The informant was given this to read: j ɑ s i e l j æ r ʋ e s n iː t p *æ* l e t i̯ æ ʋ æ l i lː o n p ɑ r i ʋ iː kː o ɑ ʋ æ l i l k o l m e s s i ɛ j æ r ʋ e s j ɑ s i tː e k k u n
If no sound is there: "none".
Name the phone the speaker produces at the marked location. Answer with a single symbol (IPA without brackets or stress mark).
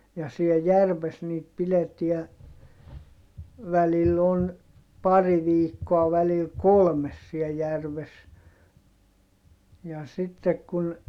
i